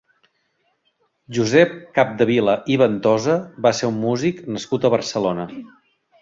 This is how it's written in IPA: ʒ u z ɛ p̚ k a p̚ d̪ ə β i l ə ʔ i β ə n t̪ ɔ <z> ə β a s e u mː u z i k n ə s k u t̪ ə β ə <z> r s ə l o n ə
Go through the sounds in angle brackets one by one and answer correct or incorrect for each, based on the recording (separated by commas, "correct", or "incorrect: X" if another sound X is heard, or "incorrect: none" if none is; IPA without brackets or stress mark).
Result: correct, incorrect: none